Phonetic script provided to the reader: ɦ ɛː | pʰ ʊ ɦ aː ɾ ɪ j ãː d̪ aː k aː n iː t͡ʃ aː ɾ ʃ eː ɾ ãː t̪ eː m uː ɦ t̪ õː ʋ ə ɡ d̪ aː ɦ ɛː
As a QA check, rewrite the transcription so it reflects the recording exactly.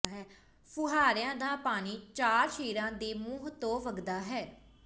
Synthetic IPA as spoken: ɦ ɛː | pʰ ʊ ɦ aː ɾ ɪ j ãː d̪ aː p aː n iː t͡ʃ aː ɾ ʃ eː ɾ ãː d̪ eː m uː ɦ t̪ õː ʋ ə ɡ d̪ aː ɦ ɛː